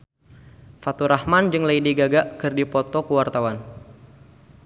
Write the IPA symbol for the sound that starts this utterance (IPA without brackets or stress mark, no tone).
f